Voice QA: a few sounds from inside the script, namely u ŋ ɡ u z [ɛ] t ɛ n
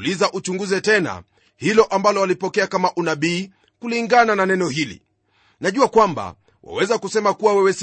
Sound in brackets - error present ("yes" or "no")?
no